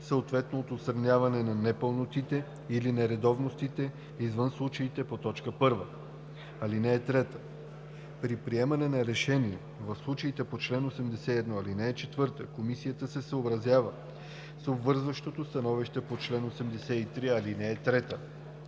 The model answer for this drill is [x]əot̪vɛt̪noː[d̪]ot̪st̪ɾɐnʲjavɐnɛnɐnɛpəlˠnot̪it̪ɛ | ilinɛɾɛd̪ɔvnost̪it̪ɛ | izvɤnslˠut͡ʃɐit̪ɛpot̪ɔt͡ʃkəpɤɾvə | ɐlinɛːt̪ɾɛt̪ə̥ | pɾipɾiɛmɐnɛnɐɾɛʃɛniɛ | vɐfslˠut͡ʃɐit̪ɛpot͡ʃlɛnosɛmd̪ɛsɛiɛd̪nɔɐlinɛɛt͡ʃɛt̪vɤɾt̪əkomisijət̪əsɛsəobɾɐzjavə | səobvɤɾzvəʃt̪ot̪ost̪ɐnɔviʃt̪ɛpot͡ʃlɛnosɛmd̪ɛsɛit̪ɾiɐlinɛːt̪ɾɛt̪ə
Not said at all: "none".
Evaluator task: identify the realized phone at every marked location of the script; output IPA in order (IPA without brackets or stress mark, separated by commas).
s, t̪